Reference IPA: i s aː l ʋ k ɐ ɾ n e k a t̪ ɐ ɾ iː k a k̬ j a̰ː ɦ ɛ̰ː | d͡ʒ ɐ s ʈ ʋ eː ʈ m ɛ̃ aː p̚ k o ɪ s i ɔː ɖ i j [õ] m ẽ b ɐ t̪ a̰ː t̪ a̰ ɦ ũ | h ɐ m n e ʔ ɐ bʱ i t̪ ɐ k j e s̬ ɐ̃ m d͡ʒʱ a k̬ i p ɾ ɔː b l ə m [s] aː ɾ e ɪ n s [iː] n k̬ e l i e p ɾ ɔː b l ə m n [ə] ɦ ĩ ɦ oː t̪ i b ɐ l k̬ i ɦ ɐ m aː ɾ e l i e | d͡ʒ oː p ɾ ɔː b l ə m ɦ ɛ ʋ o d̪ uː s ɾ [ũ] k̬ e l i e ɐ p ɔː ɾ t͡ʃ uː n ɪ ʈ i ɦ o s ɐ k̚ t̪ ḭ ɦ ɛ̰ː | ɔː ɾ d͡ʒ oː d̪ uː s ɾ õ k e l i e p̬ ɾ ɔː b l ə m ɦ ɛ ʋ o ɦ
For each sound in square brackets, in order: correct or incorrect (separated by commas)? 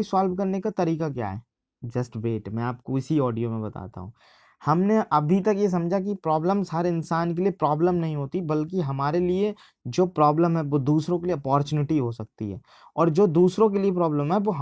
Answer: incorrect, correct, incorrect, incorrect, incorrect